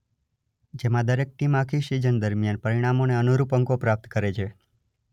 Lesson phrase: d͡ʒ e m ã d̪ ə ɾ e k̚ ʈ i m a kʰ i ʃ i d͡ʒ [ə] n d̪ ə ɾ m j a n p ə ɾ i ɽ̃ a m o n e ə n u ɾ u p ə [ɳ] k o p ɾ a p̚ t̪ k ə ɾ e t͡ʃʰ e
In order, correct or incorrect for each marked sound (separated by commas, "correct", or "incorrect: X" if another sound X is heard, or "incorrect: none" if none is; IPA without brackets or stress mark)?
correct, incorrect: ŋ